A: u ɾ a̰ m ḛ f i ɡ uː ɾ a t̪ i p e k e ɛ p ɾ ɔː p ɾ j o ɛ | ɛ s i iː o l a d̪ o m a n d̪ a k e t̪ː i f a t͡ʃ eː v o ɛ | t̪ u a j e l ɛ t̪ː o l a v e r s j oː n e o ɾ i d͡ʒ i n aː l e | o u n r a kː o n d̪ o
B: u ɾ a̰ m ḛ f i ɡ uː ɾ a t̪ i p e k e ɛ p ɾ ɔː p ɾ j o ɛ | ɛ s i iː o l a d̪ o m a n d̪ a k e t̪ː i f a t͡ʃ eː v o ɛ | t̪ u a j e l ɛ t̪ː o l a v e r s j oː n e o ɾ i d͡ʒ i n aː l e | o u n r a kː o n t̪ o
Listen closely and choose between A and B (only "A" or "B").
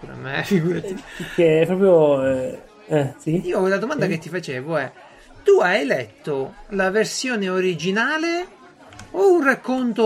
B